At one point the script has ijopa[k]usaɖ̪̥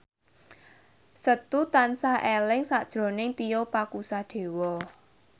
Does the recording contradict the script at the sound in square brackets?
no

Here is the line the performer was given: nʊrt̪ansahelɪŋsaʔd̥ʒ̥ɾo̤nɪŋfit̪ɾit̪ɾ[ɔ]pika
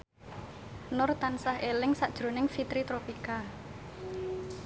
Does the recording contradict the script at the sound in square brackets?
yes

